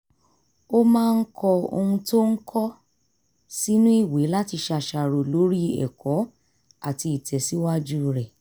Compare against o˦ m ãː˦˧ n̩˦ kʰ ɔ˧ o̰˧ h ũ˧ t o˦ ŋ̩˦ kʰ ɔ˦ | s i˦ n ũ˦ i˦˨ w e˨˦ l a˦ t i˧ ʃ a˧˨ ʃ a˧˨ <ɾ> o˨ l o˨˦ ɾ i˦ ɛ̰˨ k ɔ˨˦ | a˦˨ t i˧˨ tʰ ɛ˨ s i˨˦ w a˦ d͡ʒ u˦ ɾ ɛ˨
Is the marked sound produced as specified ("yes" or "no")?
yes